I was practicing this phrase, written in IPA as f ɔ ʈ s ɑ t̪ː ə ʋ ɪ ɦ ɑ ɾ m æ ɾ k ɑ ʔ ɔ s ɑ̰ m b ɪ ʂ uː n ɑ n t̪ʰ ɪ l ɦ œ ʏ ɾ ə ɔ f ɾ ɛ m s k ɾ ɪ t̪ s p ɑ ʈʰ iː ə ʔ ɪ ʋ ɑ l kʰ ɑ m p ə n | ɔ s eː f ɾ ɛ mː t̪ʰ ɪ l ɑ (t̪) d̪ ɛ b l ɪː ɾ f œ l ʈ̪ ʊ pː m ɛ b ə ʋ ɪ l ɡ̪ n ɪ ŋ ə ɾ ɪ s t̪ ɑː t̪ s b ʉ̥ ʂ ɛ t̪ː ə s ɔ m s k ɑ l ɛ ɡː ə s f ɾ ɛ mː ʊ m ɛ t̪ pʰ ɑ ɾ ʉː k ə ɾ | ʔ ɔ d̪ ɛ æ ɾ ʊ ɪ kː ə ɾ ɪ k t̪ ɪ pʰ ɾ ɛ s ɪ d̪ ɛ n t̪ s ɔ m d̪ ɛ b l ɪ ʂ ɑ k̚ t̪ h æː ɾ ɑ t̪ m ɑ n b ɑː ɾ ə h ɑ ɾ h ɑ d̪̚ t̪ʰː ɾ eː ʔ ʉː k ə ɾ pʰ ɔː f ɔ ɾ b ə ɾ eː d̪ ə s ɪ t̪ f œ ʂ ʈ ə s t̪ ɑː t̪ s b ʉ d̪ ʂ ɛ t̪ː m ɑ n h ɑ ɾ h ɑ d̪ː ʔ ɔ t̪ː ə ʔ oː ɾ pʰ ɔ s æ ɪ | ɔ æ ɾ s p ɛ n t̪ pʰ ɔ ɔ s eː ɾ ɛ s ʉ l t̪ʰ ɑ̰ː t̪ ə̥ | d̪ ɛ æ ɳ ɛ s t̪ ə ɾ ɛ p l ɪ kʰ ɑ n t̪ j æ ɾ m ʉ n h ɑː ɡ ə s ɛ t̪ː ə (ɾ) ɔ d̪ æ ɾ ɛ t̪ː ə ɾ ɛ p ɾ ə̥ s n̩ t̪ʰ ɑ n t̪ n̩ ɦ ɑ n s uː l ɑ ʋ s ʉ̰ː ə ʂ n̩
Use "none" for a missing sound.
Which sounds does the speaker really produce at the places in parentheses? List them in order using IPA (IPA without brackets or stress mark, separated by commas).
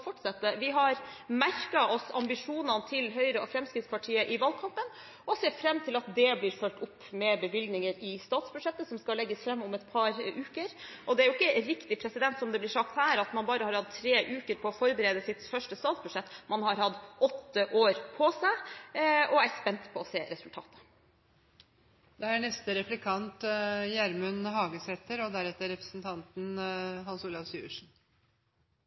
t̪, ɾ